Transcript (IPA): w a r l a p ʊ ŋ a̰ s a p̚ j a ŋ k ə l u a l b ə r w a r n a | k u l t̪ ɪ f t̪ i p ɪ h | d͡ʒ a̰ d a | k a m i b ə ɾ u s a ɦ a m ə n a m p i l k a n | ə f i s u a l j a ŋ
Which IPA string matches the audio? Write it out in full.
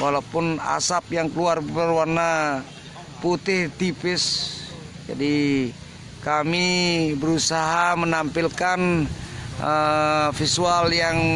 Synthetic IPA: w a l a p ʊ n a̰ s a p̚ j a ŋ k ə l u a r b ə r w a r n a | p u t̪ ɪ h t̪ i p ɪ s | d͡ʒ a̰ d i | k a m i b ə ɾ u s a ɦ a m ə n a m p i l k a n | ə f i s u a l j a ŋ